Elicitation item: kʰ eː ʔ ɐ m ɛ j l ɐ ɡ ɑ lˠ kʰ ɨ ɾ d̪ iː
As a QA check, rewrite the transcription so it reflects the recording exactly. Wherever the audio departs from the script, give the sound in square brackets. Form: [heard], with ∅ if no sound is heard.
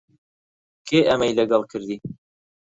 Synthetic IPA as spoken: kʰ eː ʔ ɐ m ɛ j l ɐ ɡ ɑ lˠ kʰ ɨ ɾ d̪ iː